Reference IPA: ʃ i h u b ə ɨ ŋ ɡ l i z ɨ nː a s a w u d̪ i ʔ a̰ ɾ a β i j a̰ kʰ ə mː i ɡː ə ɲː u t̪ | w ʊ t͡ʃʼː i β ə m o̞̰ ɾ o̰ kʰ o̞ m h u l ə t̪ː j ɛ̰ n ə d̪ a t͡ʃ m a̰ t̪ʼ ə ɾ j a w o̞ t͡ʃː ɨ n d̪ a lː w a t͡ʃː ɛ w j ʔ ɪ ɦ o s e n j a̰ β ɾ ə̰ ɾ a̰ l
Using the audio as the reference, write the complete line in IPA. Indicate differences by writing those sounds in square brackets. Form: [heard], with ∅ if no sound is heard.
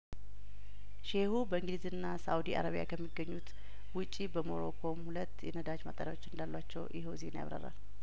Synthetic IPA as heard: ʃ [e] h u b ə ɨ ŋ ɡ l i z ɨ nː a s a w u d̪ i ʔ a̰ ɾ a β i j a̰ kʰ ə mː i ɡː ə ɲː u t̪ | w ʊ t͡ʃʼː i [b] ə m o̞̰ ɾ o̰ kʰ o̞ m h u l ə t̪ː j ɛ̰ n ə d̪ a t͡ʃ m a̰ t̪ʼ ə ɾ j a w o̞ t͡ʃː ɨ n d̪ a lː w a t͡ʃː ɛ w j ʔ ɪ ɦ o [z] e n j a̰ β ɾ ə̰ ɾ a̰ l